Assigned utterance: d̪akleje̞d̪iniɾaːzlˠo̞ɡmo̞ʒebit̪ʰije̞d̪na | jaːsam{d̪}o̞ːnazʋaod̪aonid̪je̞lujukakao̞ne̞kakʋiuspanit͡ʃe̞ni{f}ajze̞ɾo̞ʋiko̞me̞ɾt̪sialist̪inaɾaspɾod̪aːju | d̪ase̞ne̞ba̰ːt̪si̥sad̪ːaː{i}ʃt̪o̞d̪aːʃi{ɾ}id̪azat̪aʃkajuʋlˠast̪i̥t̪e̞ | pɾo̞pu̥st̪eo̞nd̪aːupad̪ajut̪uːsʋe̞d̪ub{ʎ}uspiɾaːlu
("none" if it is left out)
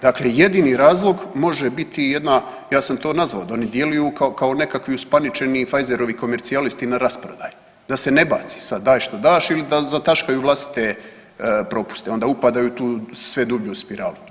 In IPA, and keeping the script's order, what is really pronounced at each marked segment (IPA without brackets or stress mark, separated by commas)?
t̪, f, j, l, ʎ